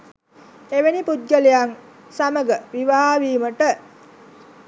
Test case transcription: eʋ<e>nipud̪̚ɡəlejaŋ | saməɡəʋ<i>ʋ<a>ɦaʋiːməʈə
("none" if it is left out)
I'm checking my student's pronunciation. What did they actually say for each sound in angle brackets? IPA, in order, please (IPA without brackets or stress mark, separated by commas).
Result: e, i, a